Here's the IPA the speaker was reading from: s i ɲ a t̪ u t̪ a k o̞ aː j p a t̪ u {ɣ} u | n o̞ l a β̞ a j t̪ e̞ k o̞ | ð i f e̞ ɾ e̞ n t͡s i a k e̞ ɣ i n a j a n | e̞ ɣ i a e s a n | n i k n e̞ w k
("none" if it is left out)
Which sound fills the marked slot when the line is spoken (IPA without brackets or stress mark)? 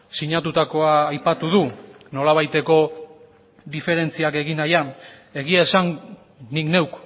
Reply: ð